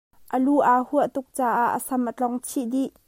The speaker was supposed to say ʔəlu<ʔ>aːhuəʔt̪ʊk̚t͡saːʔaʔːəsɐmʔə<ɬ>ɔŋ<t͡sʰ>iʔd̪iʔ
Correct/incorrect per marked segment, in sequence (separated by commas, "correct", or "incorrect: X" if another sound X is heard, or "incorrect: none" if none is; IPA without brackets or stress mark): correct, incorrect: t͡ɬ, correct